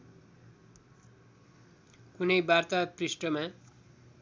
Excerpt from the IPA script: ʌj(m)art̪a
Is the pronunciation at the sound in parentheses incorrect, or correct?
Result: incorrect